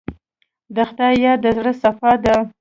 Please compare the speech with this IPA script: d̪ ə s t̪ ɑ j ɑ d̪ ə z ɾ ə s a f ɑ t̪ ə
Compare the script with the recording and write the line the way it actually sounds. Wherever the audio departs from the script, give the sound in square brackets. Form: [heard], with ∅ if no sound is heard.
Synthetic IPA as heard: d̪ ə [x] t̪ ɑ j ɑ d̪ ə z [ɽ] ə s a f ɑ [d̪] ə

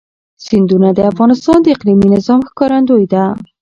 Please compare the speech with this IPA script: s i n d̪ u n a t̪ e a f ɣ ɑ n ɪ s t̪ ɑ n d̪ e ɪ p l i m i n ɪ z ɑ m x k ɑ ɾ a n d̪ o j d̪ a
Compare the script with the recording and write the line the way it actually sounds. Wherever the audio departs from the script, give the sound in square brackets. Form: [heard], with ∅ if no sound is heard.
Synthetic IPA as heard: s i n d̪ u n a [d̪] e a f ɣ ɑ n ɪ s t̪ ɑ n d̪ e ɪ [q] l i m i n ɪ z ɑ m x k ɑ ɾ a n d̪ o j d̪ a

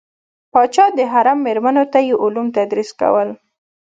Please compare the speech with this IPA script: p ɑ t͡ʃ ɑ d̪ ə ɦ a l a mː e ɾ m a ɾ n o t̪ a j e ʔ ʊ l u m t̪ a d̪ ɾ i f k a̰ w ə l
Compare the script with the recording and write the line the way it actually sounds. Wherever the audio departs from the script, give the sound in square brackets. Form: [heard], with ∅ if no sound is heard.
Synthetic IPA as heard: p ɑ t͡ʃ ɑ d̪ ə ɦ a [ɾ] a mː e ɾ m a [∅] n o t̪ a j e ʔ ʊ l u m t̪ a d̪ ɾ i [s] k a̰ w ə l

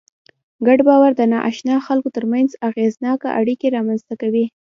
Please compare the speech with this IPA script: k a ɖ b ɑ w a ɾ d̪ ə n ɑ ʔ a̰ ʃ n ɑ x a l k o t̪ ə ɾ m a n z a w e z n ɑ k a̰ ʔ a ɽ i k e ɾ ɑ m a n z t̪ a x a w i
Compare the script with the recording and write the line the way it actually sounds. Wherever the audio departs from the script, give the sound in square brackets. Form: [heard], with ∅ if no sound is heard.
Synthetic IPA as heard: [ɡ] a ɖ b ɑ w a ɾ d̪ ə n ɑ ʔ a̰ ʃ n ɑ x a l k o t̪ ə ɾ m a n z a [ɣ] e z n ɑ k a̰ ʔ a ɽ i k e ɾ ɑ m a n z t̪ a [k] a w i

